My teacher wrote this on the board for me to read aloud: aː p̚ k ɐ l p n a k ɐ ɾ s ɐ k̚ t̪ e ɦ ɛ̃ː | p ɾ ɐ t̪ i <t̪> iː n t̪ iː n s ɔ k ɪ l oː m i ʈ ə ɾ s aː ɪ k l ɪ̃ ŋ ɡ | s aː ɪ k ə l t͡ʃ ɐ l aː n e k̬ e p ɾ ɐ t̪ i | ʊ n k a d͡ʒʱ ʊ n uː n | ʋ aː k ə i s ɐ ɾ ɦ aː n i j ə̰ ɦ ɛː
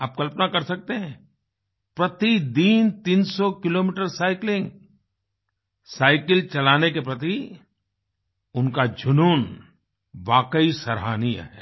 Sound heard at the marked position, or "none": d̪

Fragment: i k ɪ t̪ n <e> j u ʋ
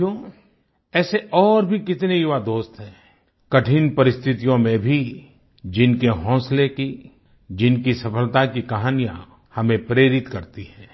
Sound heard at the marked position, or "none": e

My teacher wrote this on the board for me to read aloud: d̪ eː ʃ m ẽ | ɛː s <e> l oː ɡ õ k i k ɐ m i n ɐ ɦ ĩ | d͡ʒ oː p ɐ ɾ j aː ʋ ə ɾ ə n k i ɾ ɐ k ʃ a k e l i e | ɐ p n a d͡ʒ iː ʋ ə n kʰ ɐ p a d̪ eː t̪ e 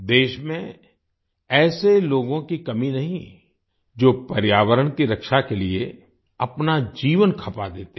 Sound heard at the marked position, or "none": e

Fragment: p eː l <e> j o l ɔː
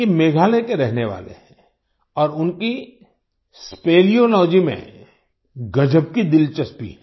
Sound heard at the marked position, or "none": i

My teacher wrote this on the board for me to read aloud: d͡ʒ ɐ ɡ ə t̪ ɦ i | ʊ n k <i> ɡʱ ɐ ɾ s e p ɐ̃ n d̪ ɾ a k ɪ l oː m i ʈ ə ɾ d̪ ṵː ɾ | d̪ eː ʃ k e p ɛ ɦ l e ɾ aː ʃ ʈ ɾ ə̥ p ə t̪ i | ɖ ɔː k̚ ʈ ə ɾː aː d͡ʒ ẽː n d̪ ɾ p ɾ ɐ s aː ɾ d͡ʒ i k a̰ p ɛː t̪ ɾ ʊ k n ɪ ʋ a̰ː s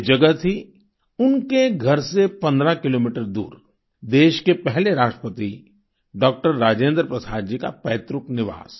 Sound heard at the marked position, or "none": e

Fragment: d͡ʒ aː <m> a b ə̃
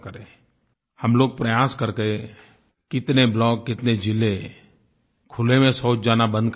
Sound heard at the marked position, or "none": n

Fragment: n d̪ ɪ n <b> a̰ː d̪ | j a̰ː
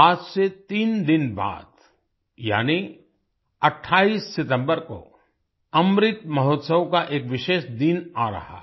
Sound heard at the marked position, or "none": b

